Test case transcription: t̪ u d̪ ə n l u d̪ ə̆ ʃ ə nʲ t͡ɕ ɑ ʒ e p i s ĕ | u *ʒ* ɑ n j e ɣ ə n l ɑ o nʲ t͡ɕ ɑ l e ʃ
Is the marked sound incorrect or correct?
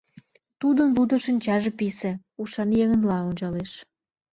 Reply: incorrect: ʃ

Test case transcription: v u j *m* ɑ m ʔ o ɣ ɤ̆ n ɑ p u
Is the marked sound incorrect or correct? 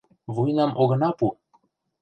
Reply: incorrect: n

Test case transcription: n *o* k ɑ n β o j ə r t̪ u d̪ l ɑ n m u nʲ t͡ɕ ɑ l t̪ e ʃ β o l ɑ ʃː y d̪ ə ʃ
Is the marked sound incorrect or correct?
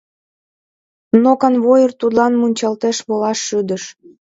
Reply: correct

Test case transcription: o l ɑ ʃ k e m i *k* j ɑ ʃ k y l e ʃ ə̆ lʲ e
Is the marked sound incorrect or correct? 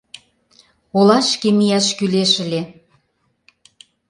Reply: incorrect: none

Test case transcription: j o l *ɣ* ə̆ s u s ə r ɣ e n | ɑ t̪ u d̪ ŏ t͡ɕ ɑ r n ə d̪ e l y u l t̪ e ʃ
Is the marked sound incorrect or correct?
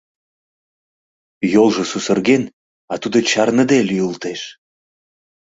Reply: incorrect: ʒ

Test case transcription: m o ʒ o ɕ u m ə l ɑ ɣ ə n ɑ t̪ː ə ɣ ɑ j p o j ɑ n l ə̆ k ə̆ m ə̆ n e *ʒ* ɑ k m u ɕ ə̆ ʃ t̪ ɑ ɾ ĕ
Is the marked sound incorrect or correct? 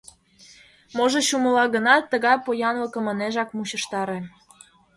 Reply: correct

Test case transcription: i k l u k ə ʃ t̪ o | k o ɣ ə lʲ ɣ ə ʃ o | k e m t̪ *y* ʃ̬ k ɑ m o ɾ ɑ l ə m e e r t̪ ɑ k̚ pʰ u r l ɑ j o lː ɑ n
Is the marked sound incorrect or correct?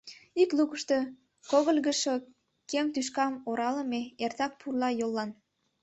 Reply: correct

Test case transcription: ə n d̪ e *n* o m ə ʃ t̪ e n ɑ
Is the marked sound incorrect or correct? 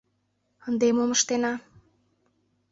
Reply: incorrect: m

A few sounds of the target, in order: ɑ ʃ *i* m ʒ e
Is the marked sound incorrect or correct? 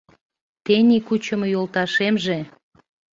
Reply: incorrect: e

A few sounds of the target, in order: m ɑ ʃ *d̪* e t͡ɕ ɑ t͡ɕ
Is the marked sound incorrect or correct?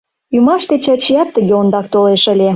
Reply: incorrect: t̪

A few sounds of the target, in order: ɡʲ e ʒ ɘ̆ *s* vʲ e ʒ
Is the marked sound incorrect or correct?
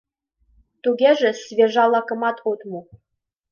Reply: correct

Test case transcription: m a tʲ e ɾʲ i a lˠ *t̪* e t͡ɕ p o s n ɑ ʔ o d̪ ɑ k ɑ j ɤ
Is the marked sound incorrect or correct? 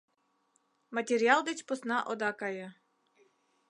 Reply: incorrect: d̪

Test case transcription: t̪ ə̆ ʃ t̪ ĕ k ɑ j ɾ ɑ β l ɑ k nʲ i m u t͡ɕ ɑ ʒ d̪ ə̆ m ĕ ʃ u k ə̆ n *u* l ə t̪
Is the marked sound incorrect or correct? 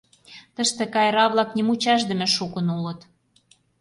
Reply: correct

